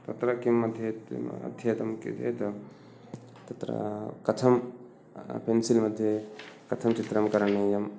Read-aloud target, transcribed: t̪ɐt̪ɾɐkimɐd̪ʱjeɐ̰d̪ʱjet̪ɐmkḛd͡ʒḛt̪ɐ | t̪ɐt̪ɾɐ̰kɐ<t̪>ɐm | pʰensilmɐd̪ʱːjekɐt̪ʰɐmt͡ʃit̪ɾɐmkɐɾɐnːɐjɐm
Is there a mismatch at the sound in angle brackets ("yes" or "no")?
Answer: yes